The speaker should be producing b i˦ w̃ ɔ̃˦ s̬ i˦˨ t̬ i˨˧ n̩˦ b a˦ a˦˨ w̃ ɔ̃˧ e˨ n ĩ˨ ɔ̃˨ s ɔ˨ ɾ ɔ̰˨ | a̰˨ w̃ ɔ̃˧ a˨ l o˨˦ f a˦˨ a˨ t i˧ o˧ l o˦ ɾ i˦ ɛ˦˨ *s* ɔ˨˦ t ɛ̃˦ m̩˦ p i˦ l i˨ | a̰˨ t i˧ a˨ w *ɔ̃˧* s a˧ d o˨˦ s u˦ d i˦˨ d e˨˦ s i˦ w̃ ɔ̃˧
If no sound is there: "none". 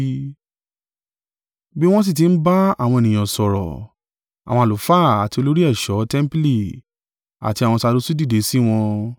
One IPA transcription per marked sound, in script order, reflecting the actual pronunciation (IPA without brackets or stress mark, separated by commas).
ʃ, ɔ̃˧